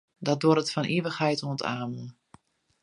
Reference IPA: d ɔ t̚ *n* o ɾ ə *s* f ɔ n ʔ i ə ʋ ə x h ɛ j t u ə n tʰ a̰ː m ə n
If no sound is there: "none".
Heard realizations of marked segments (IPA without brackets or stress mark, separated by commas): d, t